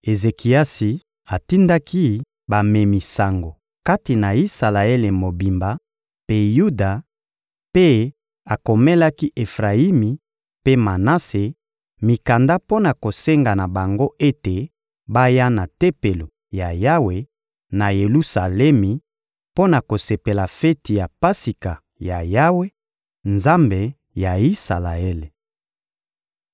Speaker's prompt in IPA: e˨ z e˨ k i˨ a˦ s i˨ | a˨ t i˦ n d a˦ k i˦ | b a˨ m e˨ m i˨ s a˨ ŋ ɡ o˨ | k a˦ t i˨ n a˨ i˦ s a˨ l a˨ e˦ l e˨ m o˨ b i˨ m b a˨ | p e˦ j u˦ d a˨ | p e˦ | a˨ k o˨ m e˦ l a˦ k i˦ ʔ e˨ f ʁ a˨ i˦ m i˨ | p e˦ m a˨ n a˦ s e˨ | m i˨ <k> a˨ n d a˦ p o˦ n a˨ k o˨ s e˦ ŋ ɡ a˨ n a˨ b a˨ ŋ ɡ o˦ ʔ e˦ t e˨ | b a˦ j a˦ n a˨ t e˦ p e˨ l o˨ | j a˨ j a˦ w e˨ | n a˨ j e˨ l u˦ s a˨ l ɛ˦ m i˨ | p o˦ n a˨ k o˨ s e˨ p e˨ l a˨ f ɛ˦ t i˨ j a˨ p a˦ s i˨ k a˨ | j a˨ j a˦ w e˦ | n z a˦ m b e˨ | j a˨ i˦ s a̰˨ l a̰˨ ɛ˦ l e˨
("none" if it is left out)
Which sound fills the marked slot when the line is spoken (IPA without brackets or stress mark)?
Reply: k